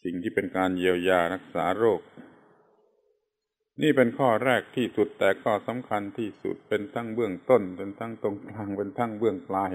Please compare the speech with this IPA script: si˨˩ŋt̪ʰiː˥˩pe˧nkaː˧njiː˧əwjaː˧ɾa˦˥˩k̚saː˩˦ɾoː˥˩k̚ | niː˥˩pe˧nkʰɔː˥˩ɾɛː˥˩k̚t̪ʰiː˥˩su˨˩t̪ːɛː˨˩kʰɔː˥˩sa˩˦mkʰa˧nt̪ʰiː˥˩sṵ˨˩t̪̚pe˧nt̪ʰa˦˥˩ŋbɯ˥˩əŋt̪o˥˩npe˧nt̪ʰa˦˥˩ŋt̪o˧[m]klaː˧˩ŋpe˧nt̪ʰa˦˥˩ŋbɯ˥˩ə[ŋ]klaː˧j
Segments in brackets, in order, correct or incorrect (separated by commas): incorrect, correct